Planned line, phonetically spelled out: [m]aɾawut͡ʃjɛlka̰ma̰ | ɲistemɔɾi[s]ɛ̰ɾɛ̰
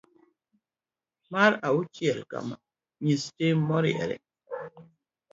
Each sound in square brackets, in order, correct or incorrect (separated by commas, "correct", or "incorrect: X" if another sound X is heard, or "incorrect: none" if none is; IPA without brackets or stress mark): correct, incorrect: none